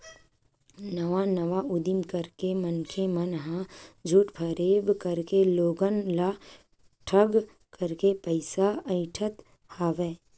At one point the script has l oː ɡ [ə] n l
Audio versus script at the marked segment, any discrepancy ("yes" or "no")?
no